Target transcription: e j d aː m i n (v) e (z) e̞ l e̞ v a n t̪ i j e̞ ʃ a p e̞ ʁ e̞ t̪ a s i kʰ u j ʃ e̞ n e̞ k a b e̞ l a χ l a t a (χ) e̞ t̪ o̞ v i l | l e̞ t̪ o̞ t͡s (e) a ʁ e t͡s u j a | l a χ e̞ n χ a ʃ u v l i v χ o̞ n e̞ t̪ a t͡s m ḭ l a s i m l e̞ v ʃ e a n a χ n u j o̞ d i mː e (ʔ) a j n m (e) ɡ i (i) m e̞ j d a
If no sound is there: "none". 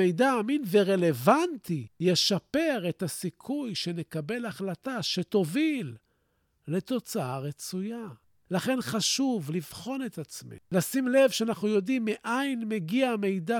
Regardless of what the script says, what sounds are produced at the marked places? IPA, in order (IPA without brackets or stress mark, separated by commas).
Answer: v, ʁ, ʃ, a, ʔ, e, a